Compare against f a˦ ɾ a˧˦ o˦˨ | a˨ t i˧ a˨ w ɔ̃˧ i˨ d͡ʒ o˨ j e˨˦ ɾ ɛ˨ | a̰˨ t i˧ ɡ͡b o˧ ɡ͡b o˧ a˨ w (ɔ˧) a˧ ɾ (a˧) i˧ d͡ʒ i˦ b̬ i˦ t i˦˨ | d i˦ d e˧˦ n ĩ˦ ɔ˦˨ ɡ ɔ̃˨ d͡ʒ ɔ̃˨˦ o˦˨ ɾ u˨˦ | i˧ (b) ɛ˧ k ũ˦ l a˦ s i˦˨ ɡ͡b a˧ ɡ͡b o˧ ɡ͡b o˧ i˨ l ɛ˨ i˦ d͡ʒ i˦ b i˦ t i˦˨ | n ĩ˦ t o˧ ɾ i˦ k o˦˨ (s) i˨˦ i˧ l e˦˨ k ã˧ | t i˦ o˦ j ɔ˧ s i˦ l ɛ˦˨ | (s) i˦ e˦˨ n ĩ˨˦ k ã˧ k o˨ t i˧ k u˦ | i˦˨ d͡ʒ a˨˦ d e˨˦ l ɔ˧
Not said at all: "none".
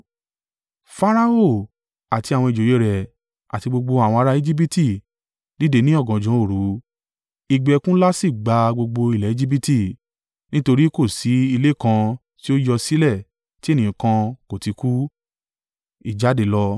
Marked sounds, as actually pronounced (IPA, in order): ɔ̃˧, a˧, ɡ͡b, s, t

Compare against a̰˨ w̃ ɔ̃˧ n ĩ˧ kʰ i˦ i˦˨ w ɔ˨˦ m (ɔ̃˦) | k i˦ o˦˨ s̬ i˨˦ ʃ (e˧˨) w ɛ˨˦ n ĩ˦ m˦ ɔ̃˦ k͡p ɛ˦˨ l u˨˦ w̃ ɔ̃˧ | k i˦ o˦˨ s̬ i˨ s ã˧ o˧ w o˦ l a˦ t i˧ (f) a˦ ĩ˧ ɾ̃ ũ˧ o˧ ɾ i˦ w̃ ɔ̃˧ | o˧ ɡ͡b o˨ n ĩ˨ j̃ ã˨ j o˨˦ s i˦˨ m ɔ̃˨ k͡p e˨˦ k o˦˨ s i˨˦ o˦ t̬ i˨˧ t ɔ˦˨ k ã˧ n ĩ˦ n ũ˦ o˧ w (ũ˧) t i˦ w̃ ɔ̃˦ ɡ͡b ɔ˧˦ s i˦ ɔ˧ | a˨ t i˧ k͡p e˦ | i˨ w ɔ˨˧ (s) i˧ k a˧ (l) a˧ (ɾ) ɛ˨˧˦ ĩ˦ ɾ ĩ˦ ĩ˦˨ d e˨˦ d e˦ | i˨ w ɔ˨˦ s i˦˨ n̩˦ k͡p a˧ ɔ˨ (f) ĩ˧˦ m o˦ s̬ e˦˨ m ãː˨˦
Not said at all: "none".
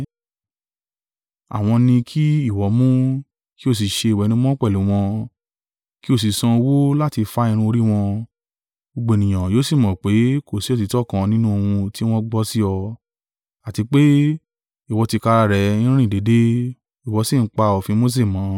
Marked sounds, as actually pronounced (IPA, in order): ũ˦, e˧˨, f, ũ˧, t, ɾ, ɾ, f

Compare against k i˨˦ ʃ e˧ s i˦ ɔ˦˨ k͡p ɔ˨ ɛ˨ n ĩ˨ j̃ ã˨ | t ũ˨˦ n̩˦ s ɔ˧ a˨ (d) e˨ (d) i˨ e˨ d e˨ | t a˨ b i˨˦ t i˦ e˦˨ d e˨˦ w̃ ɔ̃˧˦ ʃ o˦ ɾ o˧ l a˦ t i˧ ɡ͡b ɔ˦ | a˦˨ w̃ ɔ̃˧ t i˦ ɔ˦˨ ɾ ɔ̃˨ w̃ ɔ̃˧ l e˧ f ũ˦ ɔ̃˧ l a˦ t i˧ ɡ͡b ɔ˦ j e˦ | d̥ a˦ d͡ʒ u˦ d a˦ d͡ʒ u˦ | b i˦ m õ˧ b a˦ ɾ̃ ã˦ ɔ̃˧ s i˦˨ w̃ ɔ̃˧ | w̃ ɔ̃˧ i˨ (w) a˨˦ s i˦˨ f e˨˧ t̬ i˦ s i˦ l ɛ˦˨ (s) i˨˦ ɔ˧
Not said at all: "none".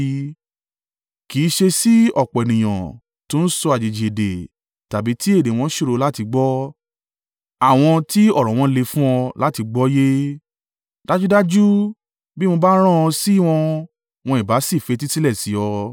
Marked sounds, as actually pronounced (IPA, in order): d͡ʒ, d͡ʒ, b, s

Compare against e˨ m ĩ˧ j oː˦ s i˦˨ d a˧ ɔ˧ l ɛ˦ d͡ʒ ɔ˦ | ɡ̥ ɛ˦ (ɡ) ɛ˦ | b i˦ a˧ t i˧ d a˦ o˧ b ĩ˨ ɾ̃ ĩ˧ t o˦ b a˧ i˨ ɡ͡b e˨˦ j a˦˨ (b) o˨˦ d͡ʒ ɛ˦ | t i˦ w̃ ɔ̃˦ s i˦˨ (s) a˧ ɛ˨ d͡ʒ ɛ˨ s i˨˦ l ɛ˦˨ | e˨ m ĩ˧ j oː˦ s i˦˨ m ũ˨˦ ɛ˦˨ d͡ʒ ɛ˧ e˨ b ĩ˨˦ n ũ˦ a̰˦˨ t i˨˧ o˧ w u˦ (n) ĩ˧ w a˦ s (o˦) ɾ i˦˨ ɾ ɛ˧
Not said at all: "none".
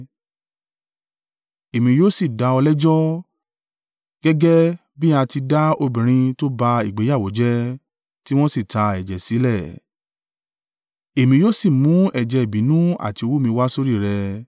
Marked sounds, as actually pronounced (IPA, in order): ɡ, w, t, m, o˦

